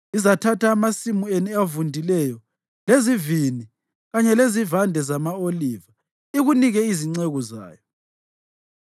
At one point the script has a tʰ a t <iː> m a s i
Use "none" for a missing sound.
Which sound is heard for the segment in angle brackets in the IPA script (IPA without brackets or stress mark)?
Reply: aː